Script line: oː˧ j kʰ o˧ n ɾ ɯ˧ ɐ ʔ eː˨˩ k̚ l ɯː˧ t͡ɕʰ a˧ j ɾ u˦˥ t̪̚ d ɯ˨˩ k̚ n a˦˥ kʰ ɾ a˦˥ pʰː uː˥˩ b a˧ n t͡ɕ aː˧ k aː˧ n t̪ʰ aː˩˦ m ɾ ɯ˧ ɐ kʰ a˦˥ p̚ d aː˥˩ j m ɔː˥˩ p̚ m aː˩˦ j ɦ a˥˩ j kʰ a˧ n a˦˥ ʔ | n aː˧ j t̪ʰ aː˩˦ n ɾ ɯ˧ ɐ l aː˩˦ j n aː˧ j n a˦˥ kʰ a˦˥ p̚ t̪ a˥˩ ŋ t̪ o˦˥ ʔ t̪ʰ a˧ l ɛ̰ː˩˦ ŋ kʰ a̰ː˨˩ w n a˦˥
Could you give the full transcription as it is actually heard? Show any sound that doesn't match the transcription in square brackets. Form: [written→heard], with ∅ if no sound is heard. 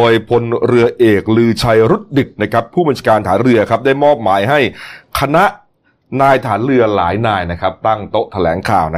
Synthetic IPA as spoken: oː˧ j [kʰ→pʰ] o˧ n ɾ ɯ˧ ɐ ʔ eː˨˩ k̚ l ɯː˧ t͡ɕʰ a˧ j ɾ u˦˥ t̪̚ d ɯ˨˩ k̚ n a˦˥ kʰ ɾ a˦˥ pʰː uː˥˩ b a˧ n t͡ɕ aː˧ k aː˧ n t̪ʰ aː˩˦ [m→n] ɾ ɯ˧ ɐ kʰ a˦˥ p̚ d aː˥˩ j m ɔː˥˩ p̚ m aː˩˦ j ɦ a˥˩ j kʰ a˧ n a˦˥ ʔ | n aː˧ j t̪ʰ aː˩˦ n ɾ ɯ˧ ɐ l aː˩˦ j n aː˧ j n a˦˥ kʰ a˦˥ p̚ t̪ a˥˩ ŋ t̪ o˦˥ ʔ t̪ʰ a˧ l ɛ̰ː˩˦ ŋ kʰ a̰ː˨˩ w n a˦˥